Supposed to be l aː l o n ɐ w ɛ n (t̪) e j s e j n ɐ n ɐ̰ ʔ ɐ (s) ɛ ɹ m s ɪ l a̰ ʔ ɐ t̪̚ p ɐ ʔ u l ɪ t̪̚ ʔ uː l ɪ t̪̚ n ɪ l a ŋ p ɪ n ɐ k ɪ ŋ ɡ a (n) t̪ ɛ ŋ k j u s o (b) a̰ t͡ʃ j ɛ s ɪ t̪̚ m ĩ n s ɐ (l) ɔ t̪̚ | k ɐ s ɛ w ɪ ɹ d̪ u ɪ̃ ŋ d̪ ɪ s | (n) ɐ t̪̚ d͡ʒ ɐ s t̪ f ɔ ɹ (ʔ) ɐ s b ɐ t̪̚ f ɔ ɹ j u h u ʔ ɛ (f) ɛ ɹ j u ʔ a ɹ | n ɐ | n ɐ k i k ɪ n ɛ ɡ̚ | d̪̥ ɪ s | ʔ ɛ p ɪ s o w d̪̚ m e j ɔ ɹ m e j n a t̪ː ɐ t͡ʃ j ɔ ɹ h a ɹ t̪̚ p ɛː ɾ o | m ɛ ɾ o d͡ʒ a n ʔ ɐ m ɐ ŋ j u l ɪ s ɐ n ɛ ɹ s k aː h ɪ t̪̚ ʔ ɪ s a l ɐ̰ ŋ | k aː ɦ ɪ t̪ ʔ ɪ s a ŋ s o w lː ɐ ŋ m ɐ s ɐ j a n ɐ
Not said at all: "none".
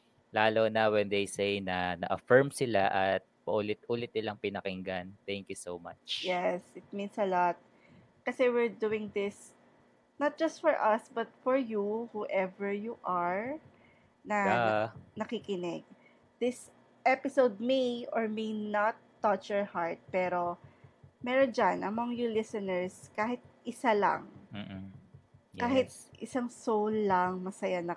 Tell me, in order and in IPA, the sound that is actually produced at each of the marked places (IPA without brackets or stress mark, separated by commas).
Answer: d̪, f, n, m, l, n, ʔ, v